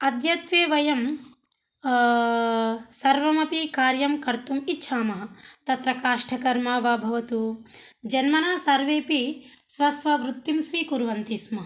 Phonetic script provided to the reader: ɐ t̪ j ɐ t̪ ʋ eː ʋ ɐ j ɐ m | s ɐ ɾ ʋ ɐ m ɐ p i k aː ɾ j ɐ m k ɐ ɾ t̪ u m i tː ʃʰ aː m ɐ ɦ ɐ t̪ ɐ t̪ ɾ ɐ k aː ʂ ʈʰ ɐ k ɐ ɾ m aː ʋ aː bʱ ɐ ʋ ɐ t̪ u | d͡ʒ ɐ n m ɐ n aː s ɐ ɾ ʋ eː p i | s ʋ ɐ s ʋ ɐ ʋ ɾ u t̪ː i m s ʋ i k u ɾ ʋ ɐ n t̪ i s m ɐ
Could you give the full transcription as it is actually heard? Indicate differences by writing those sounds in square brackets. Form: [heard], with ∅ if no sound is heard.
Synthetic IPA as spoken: ɐ [d̪] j ɐ t̪ ʋ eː ʋ ɐ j ɐ m | s ɐ ɾ ʋ ɐ m ɐ p i k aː ɾ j ɐ m k ɐ ɾ t̪ u m i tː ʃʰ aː m ɐ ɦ ɐ t̪ ɐ t̪ ɾ ɐ k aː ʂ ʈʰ ɐ k ɐ ɾ m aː ʋ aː bʱ ɐ ʋ ɐ t̪ u | d͡ʒ ɐ n m ɐ n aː s ɐ ɾ ʋ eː p i | s ʋ ɐ s ʋ ɐ ʋ ɾ u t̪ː i m s ʋ i k u ɾ ʋ ɐ n t̪ i s m ɐ